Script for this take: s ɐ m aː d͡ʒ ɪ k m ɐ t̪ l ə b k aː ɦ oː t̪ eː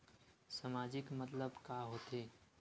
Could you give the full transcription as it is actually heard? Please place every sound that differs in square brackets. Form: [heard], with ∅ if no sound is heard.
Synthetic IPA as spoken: s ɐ m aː d͡ʒ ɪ k m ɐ t̪ l ə b k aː ɦ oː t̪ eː